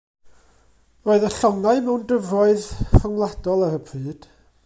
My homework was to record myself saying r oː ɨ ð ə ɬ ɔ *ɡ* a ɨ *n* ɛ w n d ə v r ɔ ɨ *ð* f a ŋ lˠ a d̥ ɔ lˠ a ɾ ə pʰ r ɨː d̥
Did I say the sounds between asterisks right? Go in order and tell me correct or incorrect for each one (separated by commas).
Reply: incorrect, incorrect, correct